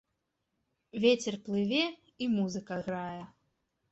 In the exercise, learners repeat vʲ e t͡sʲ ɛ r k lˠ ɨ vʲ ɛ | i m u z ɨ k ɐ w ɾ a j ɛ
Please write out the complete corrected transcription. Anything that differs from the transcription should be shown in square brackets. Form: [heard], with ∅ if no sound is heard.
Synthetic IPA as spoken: vʲ e t͡sʲ ɛ r [p] lˠ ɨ vʲ ɛ | i m u z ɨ k ɐ [ɣ] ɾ a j ɛ